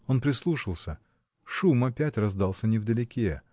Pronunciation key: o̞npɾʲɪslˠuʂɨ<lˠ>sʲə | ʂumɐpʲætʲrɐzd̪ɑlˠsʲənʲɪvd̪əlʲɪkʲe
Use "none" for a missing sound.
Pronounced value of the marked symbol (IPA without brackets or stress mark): lˠ